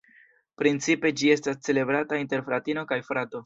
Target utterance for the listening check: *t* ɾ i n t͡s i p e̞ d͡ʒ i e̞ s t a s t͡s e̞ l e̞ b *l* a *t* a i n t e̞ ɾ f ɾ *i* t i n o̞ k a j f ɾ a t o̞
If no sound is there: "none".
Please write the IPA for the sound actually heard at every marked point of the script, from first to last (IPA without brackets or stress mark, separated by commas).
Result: p, ɾ, t, a